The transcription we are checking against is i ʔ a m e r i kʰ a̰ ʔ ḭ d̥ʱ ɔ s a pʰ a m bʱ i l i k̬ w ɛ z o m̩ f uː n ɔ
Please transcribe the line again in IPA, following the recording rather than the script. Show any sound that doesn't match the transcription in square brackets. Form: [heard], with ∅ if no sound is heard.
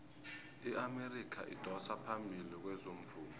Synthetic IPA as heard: i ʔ a m e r i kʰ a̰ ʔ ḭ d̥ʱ ɔ s a pʰ a m bʱ i l i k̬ w ɛ z o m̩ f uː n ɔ